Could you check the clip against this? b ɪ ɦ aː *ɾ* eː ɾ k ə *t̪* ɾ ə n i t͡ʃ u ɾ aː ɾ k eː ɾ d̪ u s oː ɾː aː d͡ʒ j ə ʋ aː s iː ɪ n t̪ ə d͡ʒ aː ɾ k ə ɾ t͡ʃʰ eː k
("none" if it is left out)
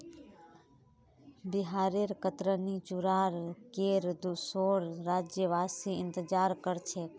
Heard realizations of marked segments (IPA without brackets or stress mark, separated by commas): ɾ, t̪